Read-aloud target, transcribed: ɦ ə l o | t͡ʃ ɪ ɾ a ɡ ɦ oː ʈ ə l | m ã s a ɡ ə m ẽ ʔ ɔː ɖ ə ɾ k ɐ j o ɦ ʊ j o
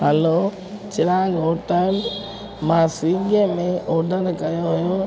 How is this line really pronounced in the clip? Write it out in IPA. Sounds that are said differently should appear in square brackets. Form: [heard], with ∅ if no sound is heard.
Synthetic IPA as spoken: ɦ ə l o | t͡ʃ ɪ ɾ a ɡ ɦ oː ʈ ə l | m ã s [i] ɡ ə m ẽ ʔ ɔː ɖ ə ɾ k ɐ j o ɦ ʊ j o